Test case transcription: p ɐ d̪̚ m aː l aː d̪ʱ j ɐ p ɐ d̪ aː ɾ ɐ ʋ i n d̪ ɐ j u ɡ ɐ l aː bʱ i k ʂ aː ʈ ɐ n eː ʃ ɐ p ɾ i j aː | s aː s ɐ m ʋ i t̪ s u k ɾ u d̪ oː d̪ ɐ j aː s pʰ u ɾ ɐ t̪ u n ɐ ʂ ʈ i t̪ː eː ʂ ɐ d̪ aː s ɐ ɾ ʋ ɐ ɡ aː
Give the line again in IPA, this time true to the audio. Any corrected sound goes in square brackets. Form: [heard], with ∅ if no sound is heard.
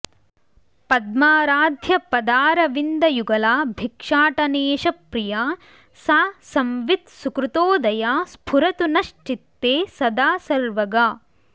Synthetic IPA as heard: p ɐ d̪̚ m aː [ɾ] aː d̪ʱ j ɐ p ɐ d̪ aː ɾ ɐ ʋ i n d̪ ɐ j u ɡ ɐ l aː bʱ i k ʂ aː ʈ ɐ n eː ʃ ɐ p ɾ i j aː | s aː s ɐ m ʋ i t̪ s u k ɾ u [t̪] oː d̪ ɐ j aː s pʰ u ɾ ɐ t̪ u n ɐ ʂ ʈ i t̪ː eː [s] ɐ d̪ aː s ɐ ɾ ʋ ɐ ɡ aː